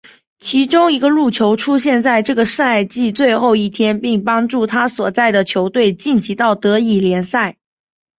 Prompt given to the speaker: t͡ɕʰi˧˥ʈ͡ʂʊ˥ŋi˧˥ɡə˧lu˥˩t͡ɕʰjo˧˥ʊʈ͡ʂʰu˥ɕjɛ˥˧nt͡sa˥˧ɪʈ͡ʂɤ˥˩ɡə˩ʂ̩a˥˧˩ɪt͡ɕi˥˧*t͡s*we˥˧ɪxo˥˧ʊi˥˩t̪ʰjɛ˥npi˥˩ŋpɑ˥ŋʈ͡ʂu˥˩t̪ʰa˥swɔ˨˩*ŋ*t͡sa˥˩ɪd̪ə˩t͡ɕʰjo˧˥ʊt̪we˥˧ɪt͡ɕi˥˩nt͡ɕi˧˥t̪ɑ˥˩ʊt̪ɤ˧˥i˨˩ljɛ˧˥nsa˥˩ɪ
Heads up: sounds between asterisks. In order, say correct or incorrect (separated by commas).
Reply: correct, incorrect